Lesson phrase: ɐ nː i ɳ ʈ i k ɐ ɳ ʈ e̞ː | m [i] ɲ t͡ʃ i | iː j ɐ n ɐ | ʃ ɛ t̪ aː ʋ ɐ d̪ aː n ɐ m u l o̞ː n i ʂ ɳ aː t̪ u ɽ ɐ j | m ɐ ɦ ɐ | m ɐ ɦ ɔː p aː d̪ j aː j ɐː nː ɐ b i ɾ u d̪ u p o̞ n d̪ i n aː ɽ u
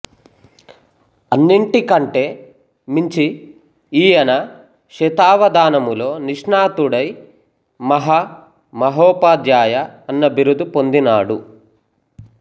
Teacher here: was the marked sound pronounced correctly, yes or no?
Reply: yes